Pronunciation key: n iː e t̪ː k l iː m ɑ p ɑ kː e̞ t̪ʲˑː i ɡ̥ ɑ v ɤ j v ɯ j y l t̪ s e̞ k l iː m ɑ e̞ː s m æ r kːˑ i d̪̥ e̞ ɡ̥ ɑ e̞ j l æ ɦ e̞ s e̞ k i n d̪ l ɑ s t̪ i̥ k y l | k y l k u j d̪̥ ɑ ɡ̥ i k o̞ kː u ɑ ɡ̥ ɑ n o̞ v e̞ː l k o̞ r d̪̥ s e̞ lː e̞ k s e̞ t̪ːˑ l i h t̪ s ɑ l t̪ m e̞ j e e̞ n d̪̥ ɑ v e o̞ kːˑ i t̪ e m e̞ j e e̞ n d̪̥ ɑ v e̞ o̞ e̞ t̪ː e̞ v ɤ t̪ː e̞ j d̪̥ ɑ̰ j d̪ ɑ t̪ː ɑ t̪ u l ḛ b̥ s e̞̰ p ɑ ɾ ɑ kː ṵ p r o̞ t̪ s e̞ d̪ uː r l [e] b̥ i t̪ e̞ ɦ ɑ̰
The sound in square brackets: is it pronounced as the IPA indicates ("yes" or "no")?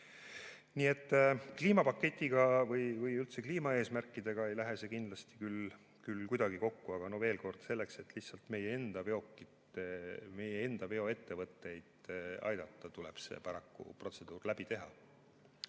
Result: no